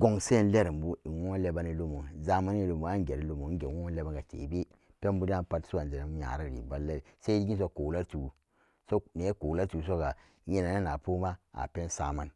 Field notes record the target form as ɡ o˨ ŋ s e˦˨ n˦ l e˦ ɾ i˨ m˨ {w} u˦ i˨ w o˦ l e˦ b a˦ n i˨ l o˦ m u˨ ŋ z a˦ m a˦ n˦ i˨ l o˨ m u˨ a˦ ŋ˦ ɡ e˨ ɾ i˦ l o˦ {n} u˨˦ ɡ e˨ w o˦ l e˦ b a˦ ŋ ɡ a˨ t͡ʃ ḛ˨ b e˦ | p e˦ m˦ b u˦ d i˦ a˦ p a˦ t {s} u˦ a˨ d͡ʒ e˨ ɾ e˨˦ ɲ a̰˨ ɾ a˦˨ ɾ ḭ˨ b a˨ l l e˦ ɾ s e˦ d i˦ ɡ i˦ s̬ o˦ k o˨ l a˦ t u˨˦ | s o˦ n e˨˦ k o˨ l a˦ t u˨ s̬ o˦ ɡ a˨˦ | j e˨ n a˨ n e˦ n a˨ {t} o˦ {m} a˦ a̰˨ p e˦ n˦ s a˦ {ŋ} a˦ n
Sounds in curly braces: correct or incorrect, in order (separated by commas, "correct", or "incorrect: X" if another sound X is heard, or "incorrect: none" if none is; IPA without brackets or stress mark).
incorrect: b, incorrect: m, correct, incorrect: p, correct, incorrect: m